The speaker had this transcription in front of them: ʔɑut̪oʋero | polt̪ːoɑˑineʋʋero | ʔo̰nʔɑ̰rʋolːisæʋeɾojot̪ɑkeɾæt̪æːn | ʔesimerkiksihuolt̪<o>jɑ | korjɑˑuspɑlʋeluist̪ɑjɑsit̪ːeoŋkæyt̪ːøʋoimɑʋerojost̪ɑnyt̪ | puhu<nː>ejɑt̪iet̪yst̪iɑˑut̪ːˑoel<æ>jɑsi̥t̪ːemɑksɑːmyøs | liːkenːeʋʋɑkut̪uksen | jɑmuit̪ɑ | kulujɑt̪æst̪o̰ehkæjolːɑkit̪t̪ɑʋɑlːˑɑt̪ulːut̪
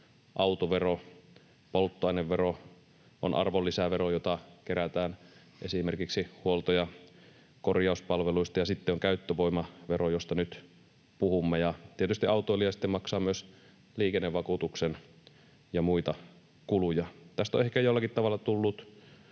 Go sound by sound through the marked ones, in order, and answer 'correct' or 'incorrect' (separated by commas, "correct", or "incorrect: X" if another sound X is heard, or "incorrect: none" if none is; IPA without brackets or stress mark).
correct, incorrect: mː, incorrect: i